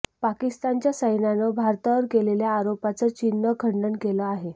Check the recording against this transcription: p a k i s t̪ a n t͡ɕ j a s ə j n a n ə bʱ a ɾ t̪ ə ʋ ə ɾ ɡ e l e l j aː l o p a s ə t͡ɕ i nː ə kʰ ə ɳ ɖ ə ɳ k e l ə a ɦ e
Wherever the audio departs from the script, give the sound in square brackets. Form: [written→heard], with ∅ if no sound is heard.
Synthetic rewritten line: p a k i s t̪ a n t͡ɕ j a s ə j n a n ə bʱ a ɾ t̪ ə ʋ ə ɾ [ɡ→k] e l e l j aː [l→ɾ] o p a [s→t͡s] ə t͡ɕ i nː ə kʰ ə ɳ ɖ ə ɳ k e l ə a ɦ e